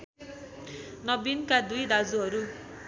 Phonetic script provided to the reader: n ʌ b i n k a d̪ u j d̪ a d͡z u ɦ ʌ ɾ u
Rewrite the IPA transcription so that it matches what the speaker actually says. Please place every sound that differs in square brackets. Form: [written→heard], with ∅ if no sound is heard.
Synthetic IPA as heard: n ʌ b i n k a d̪ u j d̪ a d͡z u ɦ ʌ ɾ u